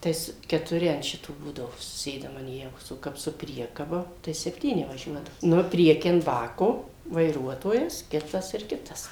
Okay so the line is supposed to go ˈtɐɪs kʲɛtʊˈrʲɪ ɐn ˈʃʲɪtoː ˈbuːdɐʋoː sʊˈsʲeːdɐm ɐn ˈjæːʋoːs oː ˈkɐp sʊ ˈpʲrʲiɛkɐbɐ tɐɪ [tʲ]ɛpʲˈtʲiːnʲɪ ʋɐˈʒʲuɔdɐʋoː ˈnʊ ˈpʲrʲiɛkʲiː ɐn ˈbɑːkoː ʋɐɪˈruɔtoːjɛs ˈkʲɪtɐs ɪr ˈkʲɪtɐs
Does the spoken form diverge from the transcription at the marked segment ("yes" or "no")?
yes